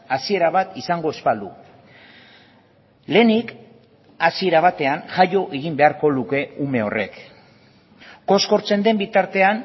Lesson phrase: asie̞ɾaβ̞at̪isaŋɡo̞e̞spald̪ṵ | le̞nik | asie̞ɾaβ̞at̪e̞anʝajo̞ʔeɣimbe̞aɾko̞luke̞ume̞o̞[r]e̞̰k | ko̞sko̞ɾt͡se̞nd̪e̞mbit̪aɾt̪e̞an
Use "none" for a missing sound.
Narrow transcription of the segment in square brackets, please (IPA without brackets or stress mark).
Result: r